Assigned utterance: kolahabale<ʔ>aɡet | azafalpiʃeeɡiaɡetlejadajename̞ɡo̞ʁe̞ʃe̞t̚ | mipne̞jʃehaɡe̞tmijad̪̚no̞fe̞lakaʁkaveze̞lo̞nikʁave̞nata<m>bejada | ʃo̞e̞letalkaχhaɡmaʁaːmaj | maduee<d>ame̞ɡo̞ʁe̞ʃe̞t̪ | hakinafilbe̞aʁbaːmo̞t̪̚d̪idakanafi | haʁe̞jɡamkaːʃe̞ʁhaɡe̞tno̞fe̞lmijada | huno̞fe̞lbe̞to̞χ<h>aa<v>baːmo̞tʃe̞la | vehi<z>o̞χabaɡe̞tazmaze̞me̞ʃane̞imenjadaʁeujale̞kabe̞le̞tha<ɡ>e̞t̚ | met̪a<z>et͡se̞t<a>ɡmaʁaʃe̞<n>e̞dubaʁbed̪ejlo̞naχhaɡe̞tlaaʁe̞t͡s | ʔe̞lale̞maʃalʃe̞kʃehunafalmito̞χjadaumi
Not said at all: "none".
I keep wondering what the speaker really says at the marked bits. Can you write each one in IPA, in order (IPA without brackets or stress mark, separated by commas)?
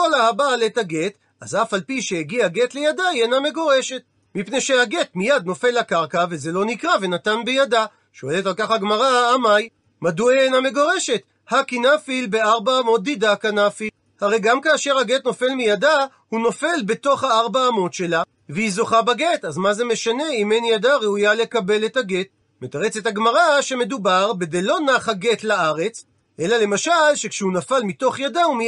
t, n, n, h, ʁ, z, ɡ, ʁ, a, m